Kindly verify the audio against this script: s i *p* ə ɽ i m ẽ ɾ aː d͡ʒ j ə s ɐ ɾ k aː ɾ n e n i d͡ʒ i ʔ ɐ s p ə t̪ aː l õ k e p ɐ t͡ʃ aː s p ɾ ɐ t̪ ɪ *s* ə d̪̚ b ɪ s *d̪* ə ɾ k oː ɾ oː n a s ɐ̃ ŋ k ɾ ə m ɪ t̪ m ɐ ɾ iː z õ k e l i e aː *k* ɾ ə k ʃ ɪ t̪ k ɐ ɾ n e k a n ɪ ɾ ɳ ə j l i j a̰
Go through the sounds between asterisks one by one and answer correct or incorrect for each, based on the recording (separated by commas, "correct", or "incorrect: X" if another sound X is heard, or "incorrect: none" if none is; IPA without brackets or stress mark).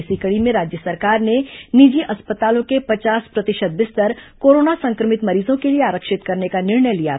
incorrect: k, incorrect: ʃ, incorrect: t̪, incorrect: none